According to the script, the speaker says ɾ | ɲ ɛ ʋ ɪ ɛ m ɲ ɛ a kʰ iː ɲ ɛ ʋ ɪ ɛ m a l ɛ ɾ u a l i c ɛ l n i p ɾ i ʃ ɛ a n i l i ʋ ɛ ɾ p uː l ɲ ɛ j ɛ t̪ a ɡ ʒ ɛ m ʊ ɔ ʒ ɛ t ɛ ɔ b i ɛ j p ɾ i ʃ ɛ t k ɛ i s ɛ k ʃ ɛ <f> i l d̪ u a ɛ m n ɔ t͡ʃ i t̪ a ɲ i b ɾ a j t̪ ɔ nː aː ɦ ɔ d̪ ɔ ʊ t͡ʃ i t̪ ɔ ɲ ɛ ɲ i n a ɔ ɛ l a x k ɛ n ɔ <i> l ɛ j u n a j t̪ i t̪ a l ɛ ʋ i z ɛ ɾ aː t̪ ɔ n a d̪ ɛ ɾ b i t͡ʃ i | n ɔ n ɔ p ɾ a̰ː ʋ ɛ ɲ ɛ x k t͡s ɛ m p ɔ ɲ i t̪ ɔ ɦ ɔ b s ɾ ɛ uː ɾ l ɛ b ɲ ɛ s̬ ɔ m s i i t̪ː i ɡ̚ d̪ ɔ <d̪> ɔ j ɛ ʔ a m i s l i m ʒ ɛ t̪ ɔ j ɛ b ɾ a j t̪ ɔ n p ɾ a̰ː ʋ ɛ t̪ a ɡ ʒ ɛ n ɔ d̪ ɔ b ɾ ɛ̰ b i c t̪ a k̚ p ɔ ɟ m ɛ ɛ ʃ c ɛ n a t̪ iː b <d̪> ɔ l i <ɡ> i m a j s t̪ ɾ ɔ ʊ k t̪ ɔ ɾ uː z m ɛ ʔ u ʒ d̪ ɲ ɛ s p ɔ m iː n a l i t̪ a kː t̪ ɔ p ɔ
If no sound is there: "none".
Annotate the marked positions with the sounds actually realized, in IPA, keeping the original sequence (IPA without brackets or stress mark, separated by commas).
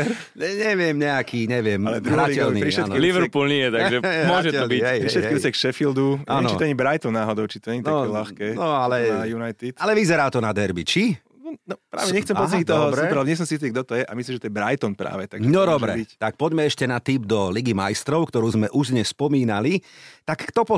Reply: f, a, t̪, d̪, ɡ